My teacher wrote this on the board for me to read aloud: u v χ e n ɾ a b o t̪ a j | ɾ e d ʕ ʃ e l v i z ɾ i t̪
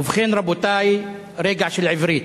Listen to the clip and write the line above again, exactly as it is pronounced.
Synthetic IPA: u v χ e n ɾ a b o t̪ a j | ɾ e ɡ ʕ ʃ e l ʕ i v ɾ i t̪